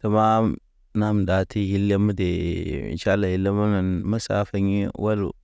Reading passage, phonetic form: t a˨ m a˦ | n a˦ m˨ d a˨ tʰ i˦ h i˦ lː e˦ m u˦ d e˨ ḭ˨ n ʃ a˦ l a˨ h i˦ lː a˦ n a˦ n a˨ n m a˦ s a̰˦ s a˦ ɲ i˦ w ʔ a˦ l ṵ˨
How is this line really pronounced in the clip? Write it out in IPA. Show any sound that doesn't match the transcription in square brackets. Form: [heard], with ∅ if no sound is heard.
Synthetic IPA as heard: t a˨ m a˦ | n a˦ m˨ d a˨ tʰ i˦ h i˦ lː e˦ m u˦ d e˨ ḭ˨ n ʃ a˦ l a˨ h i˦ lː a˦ [m] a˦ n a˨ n m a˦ s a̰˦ [f] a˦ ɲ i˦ w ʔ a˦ l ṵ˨